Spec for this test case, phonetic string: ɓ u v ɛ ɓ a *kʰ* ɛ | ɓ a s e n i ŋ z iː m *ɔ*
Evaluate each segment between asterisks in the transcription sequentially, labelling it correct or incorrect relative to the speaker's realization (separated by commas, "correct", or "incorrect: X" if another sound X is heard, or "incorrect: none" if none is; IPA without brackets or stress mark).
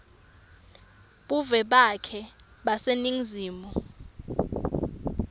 correct, correct